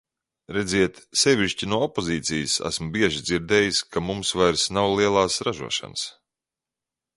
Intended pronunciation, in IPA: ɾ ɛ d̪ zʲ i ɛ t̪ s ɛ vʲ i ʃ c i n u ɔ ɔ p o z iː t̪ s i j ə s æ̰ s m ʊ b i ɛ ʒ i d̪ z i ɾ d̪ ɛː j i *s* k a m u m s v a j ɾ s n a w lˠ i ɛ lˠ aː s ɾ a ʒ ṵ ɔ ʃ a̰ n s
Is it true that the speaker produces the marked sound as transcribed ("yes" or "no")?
yes